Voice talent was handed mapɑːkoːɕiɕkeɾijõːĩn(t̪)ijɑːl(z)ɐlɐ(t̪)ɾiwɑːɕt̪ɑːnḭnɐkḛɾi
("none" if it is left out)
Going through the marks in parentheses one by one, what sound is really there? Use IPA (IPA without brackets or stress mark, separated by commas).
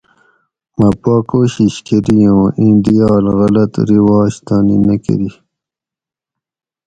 d̪, ɣ, t̪